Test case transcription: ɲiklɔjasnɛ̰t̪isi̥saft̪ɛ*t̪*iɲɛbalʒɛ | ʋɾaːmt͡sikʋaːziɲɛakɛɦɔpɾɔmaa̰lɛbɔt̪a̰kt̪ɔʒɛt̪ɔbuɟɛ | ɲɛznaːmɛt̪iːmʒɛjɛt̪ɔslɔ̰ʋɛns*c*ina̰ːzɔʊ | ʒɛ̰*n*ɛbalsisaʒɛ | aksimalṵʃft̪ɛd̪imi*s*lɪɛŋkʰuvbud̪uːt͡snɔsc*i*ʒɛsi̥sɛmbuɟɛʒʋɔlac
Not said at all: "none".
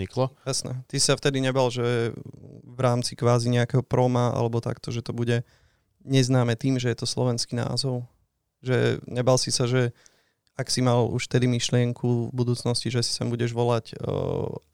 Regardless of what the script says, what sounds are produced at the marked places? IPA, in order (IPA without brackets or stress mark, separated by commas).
d̪, k, ɲ, ʃ, i